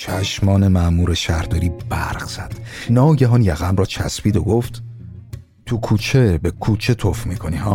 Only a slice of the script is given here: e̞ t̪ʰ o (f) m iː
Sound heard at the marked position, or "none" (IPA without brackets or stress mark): f